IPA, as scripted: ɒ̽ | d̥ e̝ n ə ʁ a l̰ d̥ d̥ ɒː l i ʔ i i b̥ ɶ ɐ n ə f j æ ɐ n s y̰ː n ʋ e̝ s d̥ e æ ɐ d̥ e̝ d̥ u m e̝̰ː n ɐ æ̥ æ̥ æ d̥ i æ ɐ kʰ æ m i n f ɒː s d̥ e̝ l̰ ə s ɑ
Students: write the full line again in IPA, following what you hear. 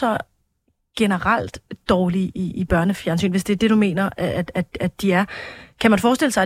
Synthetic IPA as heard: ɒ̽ | ɡ̥ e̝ n ə ʁ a l̰ d̥ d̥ ɒː l i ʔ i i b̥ ɶ ɐ n ə f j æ ɐ n s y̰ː n ʋ e̝ s d̥ e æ ɐ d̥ e̝ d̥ u m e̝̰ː n ɐ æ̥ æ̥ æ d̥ i æ ɐ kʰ æ m æ n f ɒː s d̥ e̝ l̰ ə s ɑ